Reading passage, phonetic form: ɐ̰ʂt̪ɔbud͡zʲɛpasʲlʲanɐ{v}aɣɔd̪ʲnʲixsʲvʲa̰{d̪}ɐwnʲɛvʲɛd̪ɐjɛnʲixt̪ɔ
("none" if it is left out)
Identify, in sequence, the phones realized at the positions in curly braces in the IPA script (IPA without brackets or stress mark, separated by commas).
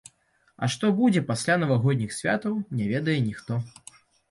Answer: v, t̪